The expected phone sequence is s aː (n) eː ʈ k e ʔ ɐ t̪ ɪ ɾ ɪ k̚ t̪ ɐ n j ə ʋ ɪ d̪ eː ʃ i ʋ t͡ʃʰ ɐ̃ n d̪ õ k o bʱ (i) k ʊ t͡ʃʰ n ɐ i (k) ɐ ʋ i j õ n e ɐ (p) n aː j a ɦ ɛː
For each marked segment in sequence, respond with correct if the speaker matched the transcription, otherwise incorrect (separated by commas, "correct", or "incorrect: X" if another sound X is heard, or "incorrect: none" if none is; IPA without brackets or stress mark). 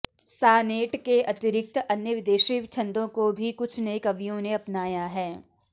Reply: correct, correct, correct, correct